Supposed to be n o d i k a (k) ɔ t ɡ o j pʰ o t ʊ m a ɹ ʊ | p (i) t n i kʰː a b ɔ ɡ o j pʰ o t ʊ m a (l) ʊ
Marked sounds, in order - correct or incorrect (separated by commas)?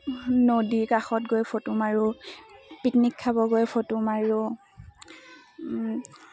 incorrect, correct, incorrect